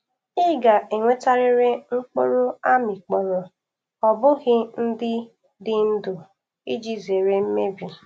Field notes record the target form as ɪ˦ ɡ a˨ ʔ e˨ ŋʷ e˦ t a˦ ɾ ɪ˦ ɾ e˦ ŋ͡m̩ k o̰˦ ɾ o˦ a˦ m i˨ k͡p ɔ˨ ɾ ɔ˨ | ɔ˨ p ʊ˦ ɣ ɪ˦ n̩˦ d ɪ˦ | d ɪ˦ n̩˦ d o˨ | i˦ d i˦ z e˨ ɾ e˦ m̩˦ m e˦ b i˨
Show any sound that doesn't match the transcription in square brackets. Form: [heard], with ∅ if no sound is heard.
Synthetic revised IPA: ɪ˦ ɡ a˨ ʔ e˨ ŋʷ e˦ t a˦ ɾ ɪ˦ ɾ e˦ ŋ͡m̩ [k͡p] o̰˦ ɾ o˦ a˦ m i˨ k͡p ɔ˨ ɾ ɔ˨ | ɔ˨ [b] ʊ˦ ɣ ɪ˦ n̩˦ d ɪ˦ | d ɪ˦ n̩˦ d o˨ | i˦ [d͡ʒ] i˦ z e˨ ɾ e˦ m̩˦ m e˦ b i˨

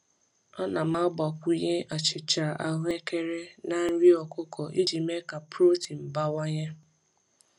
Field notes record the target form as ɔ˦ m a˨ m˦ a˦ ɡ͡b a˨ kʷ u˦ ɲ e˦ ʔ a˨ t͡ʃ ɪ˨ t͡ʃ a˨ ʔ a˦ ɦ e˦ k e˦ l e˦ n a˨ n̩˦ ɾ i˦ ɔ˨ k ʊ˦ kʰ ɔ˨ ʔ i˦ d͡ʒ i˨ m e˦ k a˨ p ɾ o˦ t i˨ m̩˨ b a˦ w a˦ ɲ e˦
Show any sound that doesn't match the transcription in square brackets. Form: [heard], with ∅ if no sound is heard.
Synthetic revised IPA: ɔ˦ [n] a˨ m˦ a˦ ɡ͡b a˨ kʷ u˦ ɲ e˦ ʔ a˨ t͡ʃ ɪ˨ t͡ʃ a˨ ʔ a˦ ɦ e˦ k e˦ [ɾ] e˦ n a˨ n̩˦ ɾ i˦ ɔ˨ k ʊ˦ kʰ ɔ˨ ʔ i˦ d͡ʒ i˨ m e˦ k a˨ p ɾ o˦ t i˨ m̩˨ b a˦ w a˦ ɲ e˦

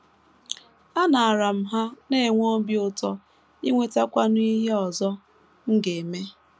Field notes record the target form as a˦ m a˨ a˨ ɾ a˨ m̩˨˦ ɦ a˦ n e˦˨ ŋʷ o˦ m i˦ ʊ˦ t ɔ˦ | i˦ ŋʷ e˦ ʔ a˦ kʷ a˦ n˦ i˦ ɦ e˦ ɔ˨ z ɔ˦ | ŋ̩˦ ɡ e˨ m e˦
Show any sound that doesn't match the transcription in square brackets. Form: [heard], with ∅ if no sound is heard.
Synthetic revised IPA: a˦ [n] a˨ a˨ ɾ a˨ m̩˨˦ ɦ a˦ n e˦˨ ŋʷ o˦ [b] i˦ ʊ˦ t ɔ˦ | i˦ ŋʷ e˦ [t] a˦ kʷ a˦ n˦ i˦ ɦ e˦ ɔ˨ z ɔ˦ | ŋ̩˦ ɡ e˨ m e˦

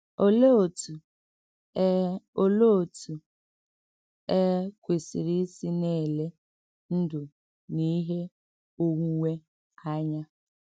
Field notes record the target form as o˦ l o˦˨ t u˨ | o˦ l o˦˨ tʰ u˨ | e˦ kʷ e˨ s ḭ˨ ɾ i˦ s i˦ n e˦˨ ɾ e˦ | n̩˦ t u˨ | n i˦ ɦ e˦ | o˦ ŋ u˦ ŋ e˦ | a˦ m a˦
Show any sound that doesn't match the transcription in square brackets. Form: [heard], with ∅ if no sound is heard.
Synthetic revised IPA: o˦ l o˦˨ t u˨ | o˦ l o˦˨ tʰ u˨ | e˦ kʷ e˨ s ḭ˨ ɾ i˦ s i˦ n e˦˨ [l] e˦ | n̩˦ [d] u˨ | n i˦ ɦ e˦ | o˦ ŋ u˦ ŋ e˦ | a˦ [ɲ] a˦

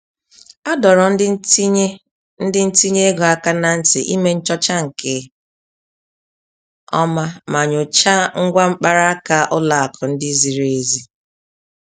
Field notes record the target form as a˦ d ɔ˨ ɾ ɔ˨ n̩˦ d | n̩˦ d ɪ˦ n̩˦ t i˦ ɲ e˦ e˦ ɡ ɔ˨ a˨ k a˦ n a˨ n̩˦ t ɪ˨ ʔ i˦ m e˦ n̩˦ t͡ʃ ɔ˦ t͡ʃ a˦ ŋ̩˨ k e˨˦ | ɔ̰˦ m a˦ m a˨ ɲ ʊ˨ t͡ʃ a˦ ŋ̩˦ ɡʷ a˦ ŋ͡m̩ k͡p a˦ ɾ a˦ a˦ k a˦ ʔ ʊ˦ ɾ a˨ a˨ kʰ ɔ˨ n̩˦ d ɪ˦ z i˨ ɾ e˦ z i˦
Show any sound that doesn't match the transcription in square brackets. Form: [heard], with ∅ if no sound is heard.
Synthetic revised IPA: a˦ d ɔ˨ ɾ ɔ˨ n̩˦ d | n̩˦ d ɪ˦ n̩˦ t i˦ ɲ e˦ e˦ ɡ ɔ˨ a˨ k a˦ n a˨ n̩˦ t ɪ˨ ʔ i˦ m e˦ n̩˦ t͡ʃ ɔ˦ t͡ʃ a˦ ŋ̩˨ k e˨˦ | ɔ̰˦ m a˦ m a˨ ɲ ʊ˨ t͡ʃ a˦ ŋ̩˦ ɡʷ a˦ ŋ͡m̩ k͡p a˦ ɾ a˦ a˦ k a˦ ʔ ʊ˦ [l] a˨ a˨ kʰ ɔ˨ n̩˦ d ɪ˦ z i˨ ɾ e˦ z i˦

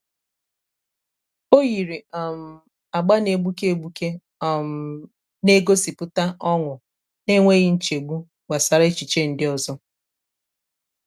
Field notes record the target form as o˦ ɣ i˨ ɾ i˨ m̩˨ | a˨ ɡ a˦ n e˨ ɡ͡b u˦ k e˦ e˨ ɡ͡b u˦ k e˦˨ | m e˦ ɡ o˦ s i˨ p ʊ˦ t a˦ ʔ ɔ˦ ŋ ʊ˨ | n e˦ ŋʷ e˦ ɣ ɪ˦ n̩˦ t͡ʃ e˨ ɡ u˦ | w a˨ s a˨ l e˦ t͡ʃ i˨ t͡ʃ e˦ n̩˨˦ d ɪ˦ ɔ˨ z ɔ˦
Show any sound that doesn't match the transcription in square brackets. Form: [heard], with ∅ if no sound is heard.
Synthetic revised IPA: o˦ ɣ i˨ ɾ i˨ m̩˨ | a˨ [ɡ͡b] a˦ n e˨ ɡ͡b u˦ k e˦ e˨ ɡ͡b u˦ k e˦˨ | [n] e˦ ɡ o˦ s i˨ p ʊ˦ t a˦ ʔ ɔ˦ ŋ ʊ˨ | n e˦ ŋʷ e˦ ɣ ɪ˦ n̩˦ t͡ʃ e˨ [ɡ͡b] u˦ | w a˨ s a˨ [ɾ] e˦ t͡ʃ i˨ t͡ʃ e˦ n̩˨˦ d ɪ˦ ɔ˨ z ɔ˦

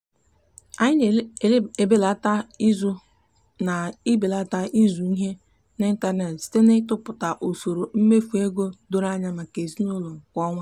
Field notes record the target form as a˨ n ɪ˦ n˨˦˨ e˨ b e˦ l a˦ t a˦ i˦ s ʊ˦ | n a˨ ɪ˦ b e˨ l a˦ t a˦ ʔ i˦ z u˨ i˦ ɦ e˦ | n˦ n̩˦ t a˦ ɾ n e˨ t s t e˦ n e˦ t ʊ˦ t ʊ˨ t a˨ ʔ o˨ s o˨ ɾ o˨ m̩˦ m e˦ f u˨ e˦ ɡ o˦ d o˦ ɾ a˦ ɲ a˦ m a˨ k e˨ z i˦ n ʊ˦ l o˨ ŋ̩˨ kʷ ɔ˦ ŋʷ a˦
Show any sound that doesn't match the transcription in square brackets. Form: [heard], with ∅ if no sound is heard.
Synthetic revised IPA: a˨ [ɲ] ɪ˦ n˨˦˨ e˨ b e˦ l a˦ t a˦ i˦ [z] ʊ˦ | n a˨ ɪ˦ b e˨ l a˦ t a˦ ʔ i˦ z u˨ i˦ ɦ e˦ | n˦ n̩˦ t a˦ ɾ n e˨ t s t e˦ n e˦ t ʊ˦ [p] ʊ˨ t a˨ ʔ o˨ s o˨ ɾ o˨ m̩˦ m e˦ f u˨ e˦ ɡ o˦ d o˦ ɾ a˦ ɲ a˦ m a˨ k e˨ z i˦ n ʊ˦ l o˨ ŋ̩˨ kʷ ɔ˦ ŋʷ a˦

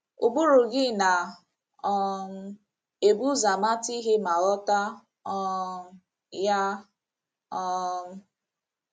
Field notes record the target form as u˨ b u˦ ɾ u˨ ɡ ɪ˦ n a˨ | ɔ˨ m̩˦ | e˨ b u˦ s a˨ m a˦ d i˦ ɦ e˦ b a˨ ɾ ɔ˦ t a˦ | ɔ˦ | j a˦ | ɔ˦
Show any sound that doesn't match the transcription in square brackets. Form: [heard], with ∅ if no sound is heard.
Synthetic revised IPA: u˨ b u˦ ɾ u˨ ɡ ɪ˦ n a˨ | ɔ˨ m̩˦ | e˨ b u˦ [z] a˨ m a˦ [t] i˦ ɦ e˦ [m] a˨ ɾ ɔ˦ t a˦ | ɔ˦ | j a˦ | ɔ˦

